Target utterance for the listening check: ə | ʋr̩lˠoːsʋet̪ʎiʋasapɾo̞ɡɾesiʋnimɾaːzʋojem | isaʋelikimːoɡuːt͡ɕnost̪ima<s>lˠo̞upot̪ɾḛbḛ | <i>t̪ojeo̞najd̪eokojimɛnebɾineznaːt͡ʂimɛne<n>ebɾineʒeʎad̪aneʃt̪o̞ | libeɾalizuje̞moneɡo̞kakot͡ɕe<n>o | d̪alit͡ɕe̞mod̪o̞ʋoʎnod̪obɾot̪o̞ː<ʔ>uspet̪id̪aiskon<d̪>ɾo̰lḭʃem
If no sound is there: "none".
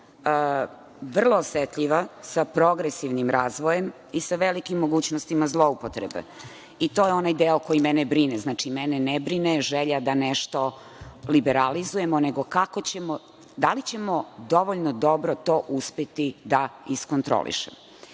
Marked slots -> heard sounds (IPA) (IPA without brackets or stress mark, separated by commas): z, i, n, m, ʔ, t̪